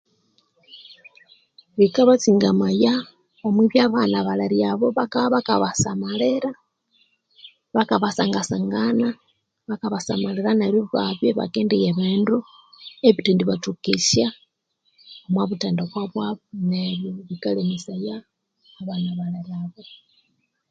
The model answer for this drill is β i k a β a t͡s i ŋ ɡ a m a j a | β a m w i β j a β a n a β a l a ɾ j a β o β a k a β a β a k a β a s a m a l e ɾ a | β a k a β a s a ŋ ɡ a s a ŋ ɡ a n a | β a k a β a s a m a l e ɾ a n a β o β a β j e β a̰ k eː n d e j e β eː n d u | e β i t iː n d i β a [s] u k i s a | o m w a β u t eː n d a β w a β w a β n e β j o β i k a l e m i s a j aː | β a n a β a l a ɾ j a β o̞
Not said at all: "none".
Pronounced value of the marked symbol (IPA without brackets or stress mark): t